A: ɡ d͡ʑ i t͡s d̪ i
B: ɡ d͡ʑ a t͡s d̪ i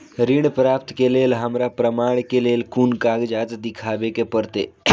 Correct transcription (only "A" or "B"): B